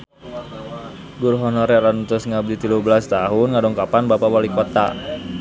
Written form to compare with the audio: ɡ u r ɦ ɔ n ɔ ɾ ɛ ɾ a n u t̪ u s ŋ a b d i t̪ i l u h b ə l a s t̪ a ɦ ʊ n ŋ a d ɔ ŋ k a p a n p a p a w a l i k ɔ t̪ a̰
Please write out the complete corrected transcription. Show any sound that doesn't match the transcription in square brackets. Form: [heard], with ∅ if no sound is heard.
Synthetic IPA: ɡ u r ɦ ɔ n ɔ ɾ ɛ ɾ a n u t̪ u s ŋ a b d i t̪ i l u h b ə l a s t̪ a ɦ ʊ n ŋ a d ɔ ŋ k a p a n [b] a p a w a l i k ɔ t̪ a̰